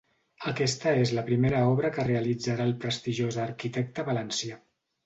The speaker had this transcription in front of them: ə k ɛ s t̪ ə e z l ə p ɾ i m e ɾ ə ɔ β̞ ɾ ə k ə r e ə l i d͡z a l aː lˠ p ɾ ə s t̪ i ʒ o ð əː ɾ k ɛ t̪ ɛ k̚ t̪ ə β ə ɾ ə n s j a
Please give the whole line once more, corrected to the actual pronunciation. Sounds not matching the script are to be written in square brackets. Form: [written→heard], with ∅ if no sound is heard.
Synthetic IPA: ə k ɛ s t̪ ə e z l ə p ɾ i m e ɾ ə ɔ β̞ ɾ ə k ə r e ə l i d͡z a [l→ɾ] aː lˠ p ɾ ə s t̪ i ʒ o [ð→z] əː ɾ k [ɛ→i] t̪ ɛ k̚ t̪ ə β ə [ɾ→l] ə n s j a